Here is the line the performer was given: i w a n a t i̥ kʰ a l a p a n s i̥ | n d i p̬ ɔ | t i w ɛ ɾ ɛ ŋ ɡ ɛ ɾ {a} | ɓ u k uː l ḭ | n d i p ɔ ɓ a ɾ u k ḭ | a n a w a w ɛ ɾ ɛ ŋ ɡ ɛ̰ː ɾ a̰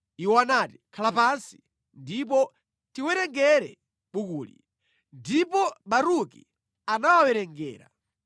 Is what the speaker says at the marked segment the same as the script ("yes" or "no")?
no